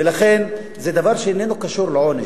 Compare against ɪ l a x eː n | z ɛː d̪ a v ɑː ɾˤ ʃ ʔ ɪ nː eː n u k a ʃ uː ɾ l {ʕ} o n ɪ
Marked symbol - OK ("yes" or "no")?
yes